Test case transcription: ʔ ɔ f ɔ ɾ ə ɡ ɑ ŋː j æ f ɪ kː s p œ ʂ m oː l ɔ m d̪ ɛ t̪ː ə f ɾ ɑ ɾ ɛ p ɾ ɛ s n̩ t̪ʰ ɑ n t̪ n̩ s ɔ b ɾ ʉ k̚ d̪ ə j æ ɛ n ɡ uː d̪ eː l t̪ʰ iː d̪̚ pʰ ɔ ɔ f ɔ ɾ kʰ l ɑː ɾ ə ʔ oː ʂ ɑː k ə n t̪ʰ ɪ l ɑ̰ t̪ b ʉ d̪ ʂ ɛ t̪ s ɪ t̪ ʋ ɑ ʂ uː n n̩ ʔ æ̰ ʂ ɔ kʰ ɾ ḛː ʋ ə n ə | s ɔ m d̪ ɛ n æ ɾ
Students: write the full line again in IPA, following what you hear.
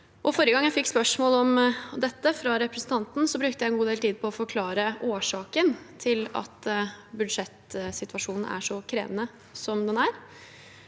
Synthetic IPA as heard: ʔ ɔ f ɔ ɾ ə ɡ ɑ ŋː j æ f ɪ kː s p œ ʂ m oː l ɔ m d̪ ɛ t̪ː ə f ɾ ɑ ɾ ɛ p ɾ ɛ s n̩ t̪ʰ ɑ n t̪ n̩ s ɔ b ɾ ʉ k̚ t̪ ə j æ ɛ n ɡ uː d̪ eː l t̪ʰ iː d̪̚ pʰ ɔ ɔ f ɔ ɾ kʰ l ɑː ɾ ə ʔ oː ʂ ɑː k ə n t̪ʰ ɪ l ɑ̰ t̪ b ʉ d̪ ʂ ɛ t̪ s ɪ t̪ ʋ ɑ ʂ uː n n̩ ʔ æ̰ ʂ ɔ kʰ ɾ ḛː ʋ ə n ə | s ɔ m d̪ ɛ n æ ɾ

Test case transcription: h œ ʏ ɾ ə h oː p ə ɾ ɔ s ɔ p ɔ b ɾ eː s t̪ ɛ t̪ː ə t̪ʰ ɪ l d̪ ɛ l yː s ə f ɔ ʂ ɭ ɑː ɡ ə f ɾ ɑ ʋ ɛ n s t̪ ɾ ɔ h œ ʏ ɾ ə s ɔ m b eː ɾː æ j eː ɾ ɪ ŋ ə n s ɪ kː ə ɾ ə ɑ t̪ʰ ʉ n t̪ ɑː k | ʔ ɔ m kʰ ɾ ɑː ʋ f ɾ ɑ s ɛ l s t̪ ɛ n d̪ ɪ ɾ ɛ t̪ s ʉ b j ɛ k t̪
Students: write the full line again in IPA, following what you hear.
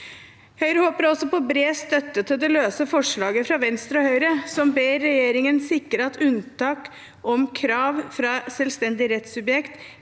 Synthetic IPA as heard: h œ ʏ ɾ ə h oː p ə ɾ ɔ s ɔ p ɔ b ɾ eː s t̪ œ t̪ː ə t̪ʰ ɪ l d̪ ɛ l øː s ə f ɔ ʂ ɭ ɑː ɡ ə f ɾ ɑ ʋ ɛ n s t̪ ɾ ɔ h œ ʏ ɾ ə s ɔ m b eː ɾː ɛ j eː ɾ ɪ ŋ ə n s ɪ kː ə ɾ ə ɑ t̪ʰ ʉ n t̪ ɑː k | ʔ ɔ m kʰ ɾ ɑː ʋ f ɾ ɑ s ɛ l s t̪ ɛ n d̪ ɪ ɾ ɛ t̪ s ʉ b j ɛ k t̪

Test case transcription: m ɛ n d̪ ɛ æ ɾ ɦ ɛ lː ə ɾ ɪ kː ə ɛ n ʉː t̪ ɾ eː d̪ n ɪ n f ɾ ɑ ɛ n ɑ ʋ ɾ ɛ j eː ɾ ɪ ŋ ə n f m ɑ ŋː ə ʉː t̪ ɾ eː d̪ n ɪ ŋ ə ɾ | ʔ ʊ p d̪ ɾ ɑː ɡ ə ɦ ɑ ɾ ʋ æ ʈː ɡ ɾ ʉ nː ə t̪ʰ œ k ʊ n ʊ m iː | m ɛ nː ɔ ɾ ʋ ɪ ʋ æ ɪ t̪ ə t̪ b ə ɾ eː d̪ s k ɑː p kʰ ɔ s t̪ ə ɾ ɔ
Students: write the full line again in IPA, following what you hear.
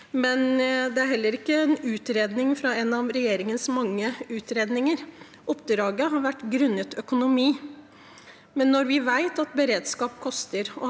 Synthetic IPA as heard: m ɛ n d̪ ɛ æ ɾ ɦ ɛ lː ə ɾ ɪ kː ə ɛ n ʉː t̪ ɾ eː d̪ n ɪ ŋ f ɾ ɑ ɛ n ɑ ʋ ɾ ɛ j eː ɾ ɪ ŋ ə n s m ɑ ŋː ə ʉː t̪ ɾ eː d̪ n ɪ ŋ ə ɾ | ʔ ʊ p d̪ ɾ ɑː ɡ ə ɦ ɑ ɾ ʋ æ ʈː ɡ ɾ ʉ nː ə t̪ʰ œ k ʊ n ʊ m iː | m ɛ nː ɔ ɾ ʋ ɪ ʋ æ ɪ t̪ ɑ t̪ b ə ɾ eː d̪ s k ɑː p kʰ ɔ s t̪ ə ɾ ɔ

